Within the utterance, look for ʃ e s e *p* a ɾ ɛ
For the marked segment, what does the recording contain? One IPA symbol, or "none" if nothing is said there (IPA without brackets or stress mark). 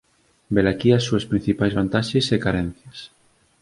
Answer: k